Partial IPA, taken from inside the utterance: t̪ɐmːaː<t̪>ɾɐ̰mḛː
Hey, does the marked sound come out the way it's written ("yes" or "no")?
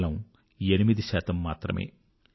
yes